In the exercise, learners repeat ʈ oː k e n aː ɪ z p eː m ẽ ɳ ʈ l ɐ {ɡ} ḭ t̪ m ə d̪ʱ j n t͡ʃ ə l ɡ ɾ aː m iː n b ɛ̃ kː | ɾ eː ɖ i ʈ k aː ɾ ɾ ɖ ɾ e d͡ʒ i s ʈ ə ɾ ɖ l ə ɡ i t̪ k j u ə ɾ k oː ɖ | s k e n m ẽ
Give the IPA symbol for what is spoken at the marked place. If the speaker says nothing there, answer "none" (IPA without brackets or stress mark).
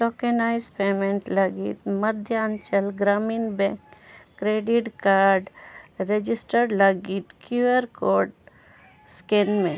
ɡ